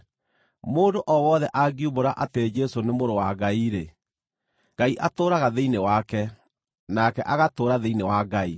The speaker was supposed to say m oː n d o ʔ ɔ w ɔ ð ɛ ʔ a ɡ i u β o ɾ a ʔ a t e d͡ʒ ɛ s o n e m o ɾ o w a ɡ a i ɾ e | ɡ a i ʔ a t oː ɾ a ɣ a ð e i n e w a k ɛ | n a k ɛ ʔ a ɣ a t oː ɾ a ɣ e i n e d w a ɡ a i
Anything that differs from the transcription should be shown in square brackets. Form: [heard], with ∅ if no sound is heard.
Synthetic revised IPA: m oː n d o ʔ ɔ w ɔ ð ɛ ʔ a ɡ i u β o ɾ a ʔ a t e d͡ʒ ɛ s o n e m o ɾ o w a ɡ a i ɾ e | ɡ a i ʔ a t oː ɾ a ɣ a ð e i n e w a k ɛ | n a k ɛ ʔ a ɣ a t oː ɾ a [ð] e i n e [∅] w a ɡ a i